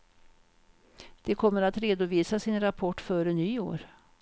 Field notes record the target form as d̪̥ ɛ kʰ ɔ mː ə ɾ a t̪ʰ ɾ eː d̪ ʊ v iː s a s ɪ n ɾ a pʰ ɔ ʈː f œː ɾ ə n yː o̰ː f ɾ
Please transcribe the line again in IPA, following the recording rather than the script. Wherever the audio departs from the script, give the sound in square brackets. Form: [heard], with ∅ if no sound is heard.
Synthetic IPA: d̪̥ ɛ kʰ ɔ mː ə ɾ a [t̪] ɾ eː d̪ ʊ v iː s a s ɪ n ɾ a pʰ ɔ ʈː f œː ɾ ə n yː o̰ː [∅] ɾ